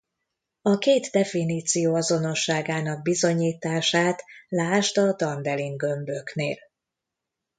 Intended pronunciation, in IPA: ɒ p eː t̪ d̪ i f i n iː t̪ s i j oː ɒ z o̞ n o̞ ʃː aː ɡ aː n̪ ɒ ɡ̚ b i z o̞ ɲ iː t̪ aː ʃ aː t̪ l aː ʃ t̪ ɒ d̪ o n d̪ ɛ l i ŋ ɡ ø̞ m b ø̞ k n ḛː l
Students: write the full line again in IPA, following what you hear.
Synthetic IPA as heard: ɒ k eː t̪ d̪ ɛ f i n iː t̪ s i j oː ɒ z o̞ n o̞ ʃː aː ɡ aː n̪ ɒ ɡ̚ b i z o̞ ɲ iː t̪ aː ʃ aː t̪ l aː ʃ t̪ ɒ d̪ ɒ n d̪ ɛ l i ŋ ɡ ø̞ m b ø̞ k n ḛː l